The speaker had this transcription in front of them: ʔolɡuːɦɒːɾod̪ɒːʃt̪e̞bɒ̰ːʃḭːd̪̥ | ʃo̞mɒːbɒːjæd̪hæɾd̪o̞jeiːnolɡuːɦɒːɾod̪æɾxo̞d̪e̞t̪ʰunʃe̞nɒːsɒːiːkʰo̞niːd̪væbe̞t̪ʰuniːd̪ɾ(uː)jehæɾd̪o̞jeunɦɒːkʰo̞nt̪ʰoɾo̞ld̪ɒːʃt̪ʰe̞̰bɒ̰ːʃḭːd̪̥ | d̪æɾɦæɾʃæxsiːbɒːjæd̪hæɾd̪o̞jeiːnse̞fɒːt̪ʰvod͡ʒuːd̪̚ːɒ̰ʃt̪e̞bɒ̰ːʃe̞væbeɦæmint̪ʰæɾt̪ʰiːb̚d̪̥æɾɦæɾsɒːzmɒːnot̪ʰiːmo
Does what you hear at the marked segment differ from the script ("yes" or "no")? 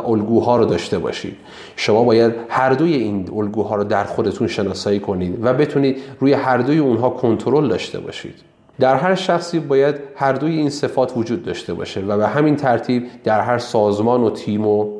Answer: no